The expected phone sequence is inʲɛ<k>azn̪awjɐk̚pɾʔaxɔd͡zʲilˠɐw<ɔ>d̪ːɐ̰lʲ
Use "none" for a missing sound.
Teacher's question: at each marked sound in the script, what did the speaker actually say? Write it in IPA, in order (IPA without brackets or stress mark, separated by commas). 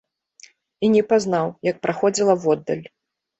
p, ɔ